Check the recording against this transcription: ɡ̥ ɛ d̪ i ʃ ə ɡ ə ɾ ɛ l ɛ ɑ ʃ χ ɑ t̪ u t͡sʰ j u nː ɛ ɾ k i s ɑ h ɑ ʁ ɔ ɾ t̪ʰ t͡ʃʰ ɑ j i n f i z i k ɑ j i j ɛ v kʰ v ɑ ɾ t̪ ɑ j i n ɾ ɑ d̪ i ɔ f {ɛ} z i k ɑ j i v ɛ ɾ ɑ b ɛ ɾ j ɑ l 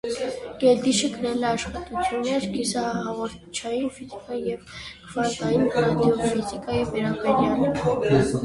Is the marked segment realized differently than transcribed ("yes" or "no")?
yes